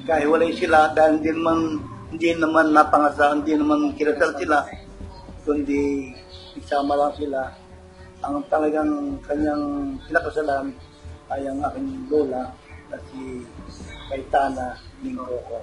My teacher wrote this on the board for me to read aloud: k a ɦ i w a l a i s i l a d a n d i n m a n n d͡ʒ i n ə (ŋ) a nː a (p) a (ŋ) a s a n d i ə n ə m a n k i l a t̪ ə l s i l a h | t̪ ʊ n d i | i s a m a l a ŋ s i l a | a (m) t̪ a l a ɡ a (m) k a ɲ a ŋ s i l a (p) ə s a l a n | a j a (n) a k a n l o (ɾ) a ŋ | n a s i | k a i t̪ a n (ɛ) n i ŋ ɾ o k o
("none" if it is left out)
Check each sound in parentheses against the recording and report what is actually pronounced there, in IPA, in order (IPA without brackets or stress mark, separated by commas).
m, p, ŋ, ŋ, ŋ, k, ŋ, l, a